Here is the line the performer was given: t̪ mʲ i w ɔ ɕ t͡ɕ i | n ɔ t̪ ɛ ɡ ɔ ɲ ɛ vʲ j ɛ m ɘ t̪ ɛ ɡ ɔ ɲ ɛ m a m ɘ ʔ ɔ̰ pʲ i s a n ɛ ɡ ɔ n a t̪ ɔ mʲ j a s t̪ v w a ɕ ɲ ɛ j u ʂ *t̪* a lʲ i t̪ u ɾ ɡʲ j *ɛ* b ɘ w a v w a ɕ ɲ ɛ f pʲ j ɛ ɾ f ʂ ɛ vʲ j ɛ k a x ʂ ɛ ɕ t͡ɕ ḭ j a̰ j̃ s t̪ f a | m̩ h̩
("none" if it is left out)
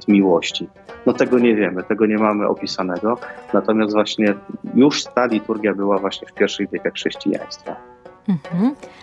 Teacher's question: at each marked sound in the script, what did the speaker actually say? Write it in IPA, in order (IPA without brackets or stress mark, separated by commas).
t̪, a